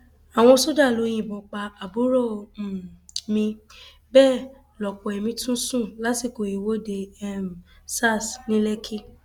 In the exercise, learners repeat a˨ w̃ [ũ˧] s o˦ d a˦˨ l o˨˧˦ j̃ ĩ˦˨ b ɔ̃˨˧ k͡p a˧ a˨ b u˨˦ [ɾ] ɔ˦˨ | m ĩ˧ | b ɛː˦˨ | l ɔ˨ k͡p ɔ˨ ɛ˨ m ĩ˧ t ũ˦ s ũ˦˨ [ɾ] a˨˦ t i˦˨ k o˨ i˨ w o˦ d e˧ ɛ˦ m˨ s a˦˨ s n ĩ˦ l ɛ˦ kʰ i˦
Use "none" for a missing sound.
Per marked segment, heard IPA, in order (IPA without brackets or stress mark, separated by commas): ɔ̃˧, ɾ, l